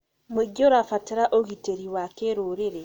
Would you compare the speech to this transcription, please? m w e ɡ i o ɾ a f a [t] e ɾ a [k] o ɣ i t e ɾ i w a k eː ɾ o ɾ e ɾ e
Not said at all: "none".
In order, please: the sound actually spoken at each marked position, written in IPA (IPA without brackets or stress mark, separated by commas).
t, ʔ